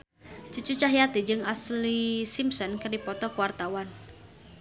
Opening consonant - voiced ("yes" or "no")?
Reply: no